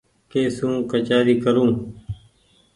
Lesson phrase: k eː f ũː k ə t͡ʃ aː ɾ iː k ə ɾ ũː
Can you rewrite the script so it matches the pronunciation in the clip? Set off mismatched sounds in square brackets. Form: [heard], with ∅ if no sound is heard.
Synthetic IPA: k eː [s] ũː k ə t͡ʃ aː ɾ iː k ə ɾ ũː